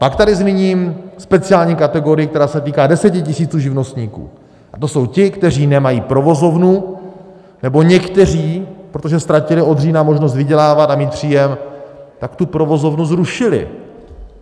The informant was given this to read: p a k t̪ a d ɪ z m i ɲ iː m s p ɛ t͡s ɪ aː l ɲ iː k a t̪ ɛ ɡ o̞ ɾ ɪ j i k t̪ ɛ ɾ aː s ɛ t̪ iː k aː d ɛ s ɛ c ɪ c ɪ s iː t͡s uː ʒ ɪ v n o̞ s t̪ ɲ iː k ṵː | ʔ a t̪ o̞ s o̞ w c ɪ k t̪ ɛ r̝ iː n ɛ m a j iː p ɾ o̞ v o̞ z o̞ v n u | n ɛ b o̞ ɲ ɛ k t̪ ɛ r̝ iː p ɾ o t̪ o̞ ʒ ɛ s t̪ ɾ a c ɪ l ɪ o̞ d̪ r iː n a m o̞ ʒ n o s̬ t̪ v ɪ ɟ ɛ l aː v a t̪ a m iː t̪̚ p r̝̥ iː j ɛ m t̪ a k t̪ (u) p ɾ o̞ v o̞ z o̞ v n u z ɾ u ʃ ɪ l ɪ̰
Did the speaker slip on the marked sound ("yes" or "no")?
no